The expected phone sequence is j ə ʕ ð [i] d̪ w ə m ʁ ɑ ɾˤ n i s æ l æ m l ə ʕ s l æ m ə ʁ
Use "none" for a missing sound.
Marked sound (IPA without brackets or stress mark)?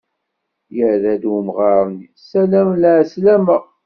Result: æ